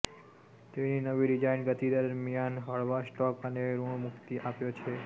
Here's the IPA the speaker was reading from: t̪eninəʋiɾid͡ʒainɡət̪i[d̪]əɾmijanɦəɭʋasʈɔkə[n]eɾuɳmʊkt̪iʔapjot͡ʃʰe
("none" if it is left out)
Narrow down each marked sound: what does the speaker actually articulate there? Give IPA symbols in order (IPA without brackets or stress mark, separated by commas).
d̪, n